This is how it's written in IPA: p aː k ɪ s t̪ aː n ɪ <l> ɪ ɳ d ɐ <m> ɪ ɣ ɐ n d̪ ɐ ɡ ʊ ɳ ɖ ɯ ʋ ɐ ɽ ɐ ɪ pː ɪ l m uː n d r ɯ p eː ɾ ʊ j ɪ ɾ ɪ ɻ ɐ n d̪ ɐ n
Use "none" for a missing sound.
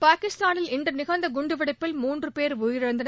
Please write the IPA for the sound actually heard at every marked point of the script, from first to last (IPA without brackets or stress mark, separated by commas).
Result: l, n